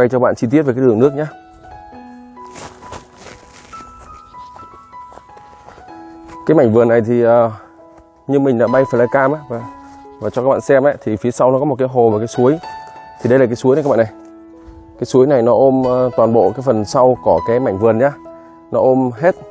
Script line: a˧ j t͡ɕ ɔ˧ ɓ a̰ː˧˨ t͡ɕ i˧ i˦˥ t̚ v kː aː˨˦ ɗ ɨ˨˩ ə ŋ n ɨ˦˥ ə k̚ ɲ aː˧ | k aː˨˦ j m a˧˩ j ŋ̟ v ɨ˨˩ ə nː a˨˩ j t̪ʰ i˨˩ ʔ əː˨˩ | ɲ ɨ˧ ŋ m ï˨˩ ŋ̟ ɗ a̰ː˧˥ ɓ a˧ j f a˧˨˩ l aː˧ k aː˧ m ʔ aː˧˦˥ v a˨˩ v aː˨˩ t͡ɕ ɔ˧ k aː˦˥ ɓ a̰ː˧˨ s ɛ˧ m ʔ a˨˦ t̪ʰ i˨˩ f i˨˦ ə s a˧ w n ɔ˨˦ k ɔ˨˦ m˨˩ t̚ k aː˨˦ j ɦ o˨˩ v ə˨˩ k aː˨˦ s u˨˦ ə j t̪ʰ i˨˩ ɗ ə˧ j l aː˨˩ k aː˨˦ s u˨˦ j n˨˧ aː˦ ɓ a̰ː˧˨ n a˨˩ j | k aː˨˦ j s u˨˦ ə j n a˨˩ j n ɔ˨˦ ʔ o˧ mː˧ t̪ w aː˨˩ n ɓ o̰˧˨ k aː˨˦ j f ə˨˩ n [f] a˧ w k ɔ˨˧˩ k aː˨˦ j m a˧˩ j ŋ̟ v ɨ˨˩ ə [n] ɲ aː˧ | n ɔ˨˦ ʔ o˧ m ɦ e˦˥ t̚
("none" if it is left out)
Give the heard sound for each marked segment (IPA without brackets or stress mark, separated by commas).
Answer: s, n